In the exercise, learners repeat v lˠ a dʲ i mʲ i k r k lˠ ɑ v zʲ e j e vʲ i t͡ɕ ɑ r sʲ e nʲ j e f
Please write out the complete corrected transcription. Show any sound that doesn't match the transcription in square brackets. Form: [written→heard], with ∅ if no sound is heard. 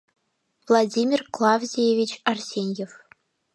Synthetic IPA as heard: v lˠ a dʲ i mʲ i [k→∅] r k lˠ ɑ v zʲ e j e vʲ i t͡ɕ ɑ r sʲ e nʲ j e f